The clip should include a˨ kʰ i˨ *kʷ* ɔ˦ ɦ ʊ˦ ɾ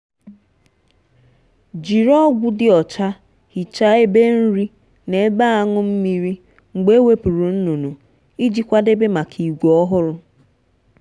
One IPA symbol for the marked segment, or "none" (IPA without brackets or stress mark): ɡʷ